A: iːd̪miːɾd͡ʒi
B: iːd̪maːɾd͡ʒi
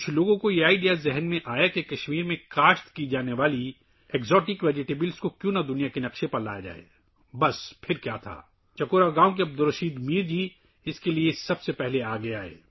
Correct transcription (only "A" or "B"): A